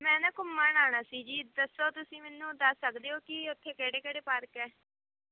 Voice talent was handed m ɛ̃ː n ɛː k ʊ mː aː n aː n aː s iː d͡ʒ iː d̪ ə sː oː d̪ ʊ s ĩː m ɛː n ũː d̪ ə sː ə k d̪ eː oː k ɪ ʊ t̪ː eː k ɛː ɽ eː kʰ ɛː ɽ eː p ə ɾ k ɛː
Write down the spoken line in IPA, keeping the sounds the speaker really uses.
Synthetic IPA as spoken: m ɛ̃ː n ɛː k ʊ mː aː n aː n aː s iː d͡ʒ iː d̪ ə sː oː t̪ ʊ s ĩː m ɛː n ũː d̪ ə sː ə k d̪ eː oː k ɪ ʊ t̪ʰː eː k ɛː ɽ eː k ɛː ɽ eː p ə ɾ k ɛː